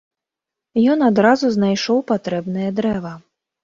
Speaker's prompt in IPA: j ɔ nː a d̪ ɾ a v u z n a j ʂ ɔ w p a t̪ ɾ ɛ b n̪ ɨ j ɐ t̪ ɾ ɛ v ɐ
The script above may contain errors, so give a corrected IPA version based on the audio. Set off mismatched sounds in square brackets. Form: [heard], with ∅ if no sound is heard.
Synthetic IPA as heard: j ɔ [n] a d̪ ɾ a [z] u z n a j ʂ ɔ w p a t̪ ɾ ɛ b n̪ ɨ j ɐ [d̪] ɾ ɛ v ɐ